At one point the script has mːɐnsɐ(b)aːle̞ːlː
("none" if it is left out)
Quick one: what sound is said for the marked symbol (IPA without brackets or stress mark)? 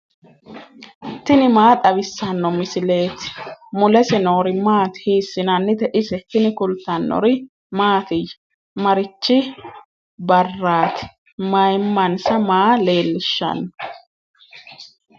m